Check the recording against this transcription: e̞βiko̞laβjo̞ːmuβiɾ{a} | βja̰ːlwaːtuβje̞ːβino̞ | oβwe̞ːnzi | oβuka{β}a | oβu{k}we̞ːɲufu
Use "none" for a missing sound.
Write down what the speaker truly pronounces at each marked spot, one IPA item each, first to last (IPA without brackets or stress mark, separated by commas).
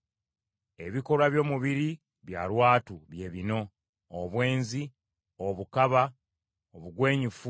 i, β, ɡ